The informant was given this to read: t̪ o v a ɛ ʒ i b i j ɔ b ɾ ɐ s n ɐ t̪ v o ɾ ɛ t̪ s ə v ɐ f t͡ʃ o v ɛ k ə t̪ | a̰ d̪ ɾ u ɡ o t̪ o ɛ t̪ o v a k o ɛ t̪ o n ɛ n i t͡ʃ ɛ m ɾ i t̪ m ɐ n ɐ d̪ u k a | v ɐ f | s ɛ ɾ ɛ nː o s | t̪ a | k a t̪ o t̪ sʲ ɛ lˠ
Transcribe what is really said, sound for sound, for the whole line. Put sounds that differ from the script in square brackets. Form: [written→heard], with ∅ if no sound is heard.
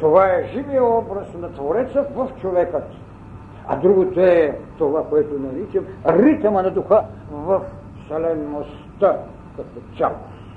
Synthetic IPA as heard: t̪ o v a ɛ ʒ i [b→v] i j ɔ b ɾ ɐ s n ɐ t̪ v o ɾ ɛ t̪ s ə v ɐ f t͡ʃ o v ɛ k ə t̪ | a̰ d̪ ɾ u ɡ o t̪ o ɛ t̪ o v a k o ɛ t̪ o n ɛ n i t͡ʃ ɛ m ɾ i t̪ m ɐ n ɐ d̪ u [k→x] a | v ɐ f | s ɛ [ɾ→l] ɛ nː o s | t̪ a | k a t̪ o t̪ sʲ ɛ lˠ